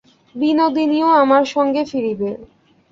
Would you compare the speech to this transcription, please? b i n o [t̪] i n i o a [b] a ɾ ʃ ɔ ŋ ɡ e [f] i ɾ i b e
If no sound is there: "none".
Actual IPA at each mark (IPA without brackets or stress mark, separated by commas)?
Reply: d̪, m, f